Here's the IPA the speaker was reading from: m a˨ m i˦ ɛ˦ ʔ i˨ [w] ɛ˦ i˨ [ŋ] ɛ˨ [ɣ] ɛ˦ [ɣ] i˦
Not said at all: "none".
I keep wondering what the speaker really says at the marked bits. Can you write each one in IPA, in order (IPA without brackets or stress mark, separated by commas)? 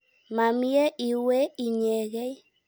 w, ɲ, ɣ, none